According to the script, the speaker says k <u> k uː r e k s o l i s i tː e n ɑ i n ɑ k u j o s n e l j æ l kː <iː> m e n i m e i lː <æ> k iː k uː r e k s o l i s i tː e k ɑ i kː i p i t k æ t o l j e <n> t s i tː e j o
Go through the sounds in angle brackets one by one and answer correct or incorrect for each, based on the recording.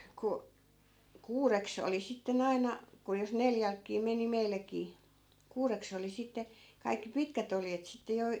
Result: correct, correct, correct, incorrect

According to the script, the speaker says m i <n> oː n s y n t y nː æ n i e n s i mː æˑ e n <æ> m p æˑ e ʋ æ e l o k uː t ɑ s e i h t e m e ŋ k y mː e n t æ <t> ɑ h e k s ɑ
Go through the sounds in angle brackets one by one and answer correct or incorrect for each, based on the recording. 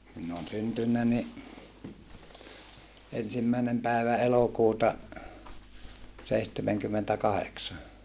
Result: incorrect, incorrect, incorrect

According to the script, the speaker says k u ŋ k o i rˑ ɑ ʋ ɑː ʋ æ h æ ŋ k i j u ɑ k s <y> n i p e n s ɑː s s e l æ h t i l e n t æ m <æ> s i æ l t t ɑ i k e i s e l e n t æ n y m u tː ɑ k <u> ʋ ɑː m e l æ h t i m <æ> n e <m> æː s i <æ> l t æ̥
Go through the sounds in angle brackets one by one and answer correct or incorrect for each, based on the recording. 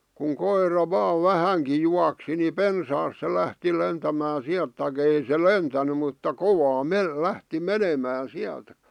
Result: incorrect, incorrect, incorrect, incorrect, correct, correct

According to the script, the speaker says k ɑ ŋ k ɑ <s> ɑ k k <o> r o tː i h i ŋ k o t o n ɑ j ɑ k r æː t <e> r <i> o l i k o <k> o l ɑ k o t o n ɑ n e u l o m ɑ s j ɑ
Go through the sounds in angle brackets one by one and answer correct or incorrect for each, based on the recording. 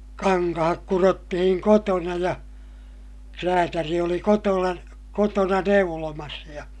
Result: incorrect, incorrect, incorrect, correct, incorrect

